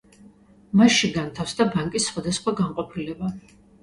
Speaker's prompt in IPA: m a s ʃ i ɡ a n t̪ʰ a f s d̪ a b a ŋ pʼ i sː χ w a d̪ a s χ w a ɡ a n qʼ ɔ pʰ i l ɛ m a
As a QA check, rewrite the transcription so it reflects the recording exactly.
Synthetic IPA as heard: m a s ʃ i ɡ a n t̪ʰ a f s d̪ a b a ŋ kʼ i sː χ w a d̪ a s χ w a ɡ a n qʼ ɔ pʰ i l ɛ b a